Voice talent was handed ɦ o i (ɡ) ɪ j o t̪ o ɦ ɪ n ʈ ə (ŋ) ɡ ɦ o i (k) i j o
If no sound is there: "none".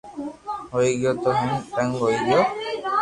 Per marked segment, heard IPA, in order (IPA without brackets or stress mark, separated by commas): ɡ, ŋ, ɡ